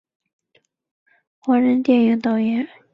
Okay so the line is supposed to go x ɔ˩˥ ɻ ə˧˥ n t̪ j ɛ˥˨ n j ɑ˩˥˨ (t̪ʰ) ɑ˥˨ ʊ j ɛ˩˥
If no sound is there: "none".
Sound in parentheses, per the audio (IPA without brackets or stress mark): t̪